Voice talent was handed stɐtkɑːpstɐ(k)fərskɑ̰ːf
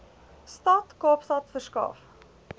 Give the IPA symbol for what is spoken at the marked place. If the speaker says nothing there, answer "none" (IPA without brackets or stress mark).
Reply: t